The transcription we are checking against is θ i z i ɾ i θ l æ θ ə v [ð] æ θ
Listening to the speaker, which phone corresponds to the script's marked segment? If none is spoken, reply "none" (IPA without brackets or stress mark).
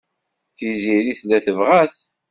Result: ʁ